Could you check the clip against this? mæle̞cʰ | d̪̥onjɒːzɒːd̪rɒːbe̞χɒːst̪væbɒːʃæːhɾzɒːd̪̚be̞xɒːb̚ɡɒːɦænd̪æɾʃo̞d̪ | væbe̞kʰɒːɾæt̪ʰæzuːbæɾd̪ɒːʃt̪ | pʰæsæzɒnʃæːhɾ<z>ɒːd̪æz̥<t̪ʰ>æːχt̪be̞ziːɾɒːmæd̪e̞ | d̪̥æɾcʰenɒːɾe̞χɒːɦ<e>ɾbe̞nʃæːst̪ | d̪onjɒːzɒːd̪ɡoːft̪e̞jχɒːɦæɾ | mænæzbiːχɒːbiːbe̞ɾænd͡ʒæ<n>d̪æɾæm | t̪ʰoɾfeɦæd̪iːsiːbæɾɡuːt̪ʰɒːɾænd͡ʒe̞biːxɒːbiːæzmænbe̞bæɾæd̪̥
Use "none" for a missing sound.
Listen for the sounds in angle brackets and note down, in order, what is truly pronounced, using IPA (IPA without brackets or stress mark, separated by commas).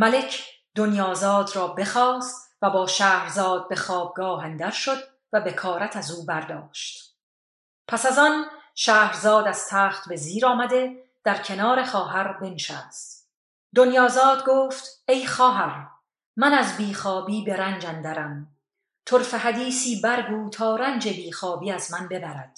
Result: z, t̪ʰ, æ, n